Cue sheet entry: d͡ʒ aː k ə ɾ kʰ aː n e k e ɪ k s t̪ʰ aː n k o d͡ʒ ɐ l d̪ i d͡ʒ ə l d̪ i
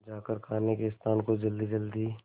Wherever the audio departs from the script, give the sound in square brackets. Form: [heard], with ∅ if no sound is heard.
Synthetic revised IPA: d͡ʒ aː k ə ɾ kʰ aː n e k e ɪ [∅] s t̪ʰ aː n k o d͡ʒ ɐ l d̪ i d͡ʒ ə l d̪ i